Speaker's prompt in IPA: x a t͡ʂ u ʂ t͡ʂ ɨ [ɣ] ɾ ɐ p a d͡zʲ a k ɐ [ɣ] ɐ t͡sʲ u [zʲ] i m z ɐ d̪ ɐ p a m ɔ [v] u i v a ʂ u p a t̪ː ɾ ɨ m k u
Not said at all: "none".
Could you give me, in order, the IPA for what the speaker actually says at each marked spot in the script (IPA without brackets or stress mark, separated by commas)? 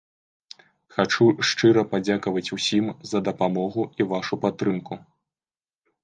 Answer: none, v, sʲ, ɣ